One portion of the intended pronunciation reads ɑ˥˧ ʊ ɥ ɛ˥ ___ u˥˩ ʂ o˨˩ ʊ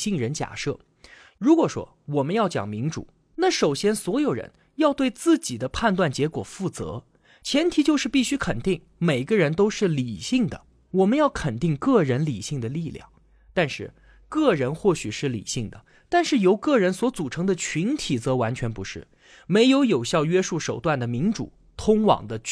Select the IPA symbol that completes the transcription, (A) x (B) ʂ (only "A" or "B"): B